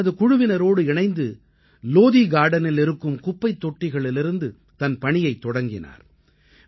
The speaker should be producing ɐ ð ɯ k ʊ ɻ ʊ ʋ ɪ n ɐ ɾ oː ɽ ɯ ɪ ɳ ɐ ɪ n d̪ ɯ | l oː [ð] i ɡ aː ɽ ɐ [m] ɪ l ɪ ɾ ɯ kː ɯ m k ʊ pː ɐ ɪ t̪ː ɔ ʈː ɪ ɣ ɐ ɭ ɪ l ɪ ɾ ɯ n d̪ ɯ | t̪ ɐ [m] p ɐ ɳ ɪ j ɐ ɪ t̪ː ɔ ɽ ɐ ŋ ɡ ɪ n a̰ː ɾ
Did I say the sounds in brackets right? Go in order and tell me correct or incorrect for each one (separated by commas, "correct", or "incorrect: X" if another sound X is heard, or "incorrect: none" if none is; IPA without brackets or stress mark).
correct, incorrect: n, incorrect: n